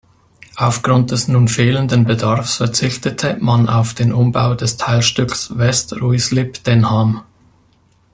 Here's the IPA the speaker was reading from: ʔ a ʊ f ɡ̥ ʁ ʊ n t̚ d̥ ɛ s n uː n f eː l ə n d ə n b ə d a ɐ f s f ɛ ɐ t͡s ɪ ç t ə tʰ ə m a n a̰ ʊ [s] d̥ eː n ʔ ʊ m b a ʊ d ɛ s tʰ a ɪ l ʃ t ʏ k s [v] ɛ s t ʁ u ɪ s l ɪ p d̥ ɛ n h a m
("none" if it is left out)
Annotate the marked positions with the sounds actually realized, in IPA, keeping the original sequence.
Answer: f, v

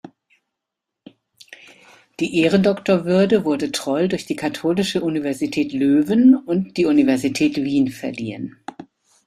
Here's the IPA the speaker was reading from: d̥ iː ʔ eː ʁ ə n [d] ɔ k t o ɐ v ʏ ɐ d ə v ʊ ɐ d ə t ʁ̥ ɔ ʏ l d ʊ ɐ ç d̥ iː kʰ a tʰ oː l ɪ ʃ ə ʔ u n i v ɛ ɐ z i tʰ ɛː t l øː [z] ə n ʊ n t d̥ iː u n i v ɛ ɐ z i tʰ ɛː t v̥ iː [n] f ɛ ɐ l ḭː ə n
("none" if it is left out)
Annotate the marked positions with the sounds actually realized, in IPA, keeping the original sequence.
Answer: d, v, n

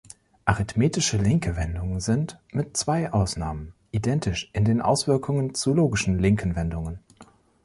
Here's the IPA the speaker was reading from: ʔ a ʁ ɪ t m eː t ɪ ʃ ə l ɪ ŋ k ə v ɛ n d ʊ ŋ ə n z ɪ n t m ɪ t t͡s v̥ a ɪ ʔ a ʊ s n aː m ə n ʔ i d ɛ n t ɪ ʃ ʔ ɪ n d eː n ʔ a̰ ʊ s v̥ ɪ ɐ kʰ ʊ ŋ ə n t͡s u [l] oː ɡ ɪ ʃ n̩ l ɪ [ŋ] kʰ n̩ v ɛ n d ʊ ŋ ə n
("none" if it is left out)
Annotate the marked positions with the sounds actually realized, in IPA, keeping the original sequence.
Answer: l, ŋ

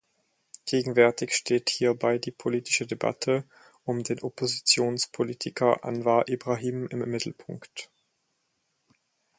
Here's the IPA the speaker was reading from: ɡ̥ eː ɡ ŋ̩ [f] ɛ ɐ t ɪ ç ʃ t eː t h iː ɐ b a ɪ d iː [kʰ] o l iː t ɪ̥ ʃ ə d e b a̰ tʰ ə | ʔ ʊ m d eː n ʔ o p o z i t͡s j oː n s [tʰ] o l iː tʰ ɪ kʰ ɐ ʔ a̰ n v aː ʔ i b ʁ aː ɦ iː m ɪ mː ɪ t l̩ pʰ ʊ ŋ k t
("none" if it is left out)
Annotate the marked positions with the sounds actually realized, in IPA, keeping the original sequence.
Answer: v, pʰ, pʰ

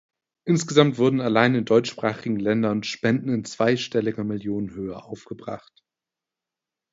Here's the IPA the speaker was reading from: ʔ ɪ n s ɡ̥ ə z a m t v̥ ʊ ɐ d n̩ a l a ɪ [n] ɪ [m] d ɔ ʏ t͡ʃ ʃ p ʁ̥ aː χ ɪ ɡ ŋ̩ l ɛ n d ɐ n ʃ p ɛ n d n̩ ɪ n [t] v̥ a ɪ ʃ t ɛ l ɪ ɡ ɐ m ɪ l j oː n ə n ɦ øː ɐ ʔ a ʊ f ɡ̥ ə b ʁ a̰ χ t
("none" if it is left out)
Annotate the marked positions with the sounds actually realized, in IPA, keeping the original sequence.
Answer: n, n, t͡s

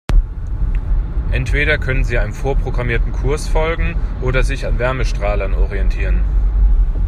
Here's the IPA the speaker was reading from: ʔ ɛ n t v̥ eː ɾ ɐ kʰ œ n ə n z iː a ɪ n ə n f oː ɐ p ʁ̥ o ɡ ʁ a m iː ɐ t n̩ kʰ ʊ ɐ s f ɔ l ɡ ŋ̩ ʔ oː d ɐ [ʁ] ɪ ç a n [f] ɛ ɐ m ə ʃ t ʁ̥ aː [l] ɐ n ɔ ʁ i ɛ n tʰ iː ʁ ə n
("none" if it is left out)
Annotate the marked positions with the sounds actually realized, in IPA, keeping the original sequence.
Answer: z, v, l

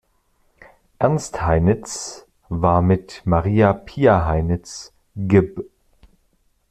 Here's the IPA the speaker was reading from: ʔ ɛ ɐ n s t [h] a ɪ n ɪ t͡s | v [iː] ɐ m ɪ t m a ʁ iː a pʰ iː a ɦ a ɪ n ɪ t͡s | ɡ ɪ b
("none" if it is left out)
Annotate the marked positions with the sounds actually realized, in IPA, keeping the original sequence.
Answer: h, aː

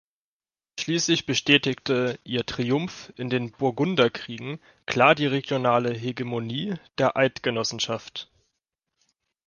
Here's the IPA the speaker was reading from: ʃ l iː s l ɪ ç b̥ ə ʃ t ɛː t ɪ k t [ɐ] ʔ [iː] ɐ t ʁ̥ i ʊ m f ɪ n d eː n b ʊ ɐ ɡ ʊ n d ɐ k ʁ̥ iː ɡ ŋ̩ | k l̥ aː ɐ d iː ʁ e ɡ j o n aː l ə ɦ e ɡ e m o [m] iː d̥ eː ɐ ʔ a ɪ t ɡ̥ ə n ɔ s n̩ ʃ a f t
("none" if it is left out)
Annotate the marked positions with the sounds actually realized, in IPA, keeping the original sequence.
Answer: ə, iː, n

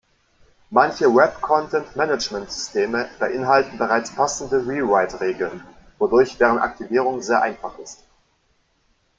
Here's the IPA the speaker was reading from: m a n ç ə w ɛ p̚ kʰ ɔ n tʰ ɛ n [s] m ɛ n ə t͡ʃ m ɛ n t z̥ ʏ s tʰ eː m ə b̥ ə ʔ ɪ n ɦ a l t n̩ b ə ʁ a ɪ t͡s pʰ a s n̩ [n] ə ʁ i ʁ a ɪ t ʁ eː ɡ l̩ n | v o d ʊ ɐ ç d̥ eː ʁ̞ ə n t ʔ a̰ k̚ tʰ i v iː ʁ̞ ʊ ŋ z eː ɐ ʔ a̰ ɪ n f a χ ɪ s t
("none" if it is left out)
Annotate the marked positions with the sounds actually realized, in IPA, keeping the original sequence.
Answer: t, d

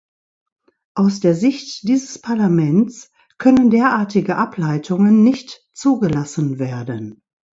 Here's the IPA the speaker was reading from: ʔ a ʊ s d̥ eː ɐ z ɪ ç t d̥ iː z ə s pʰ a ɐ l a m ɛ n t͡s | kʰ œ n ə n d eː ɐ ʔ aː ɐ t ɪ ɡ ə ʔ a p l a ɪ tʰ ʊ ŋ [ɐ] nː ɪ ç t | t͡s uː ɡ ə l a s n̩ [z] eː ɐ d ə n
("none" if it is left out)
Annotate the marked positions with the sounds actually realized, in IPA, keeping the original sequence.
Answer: ə, v

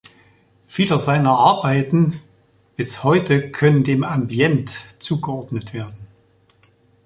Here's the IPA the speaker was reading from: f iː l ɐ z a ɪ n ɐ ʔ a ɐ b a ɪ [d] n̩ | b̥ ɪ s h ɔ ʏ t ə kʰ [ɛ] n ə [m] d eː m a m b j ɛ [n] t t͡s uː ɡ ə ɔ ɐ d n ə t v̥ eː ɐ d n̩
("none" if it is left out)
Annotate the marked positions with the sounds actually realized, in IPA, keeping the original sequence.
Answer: t, œ, n, n

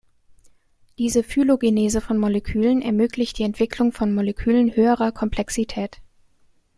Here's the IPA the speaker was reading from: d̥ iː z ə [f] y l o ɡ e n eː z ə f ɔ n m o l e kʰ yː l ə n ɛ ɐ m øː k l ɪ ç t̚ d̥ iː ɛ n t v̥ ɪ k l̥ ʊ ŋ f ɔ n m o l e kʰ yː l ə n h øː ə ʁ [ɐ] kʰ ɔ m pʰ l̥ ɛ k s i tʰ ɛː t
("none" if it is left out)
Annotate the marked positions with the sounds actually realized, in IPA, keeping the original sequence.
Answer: f, ɐ

